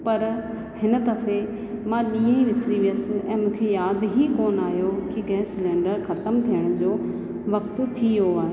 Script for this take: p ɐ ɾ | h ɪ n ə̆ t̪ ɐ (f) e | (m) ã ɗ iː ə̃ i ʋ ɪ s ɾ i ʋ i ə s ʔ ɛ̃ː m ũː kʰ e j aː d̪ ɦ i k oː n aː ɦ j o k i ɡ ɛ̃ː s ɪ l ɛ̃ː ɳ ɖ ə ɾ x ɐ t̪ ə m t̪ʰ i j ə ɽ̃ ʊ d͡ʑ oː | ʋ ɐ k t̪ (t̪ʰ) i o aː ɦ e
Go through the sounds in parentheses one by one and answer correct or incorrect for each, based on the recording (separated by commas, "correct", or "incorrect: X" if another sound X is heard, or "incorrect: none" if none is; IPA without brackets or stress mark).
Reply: correct, correct, correct